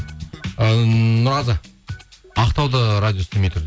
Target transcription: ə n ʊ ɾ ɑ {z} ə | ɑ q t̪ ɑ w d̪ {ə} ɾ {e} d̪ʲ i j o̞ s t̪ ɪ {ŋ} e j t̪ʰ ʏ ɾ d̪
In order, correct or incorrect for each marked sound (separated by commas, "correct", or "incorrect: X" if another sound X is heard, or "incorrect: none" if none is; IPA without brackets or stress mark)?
correct, correct, incorrect: a, incorrect: m